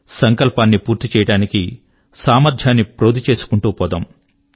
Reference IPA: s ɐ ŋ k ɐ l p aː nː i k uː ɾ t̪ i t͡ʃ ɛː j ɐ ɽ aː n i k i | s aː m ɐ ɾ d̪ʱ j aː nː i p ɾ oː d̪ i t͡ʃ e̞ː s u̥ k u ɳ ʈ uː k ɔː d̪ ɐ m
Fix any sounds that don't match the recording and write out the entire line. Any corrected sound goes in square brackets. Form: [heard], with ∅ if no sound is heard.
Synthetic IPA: s ɐ ŋ k ɐ l p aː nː i [p] uː ɾ t̪ i t͡ʃ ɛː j ɐ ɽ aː n i k i | s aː m ɐ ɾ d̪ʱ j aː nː i p ɾ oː d̪ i t͡ʃ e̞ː s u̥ k u ɳ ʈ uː [p] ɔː d̪ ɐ m